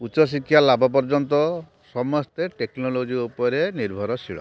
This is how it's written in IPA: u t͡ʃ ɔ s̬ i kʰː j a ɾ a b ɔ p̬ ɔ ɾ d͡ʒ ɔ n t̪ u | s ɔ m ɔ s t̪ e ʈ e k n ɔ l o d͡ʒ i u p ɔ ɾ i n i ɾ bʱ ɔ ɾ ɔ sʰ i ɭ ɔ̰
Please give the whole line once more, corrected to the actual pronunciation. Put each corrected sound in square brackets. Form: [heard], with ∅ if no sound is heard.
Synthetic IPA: u t͡ʃ ɔ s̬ i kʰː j a [l] a b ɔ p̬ ɔ ɾ d͡ʒ ɔ n t̪ [ɔ] | s ɔ m ɔ s t̪ e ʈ e k n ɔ l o d͡ʒ i u p ɔ ɾ [e] n i ɾ bʱ ɔ ɾ ɔ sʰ i ɭ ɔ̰